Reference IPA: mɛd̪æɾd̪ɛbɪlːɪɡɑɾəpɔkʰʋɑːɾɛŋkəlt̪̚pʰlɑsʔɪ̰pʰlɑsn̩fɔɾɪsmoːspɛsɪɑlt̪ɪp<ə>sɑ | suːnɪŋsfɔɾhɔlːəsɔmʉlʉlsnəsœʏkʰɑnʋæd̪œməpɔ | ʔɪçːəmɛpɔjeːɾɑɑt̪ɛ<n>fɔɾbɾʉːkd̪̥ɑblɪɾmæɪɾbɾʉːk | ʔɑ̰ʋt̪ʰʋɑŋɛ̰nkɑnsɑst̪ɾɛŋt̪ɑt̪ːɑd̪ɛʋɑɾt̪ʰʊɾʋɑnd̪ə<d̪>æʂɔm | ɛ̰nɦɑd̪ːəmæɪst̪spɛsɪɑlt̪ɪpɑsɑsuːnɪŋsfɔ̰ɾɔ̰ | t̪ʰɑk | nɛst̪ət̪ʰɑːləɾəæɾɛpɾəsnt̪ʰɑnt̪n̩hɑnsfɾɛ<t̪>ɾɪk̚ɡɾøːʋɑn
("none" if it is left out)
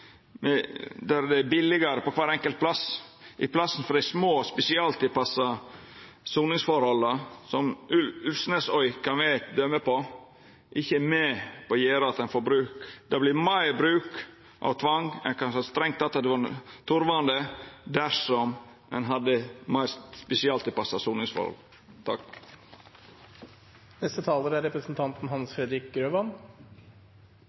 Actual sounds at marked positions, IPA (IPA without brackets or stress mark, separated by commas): ɑ, n, d̪, d̪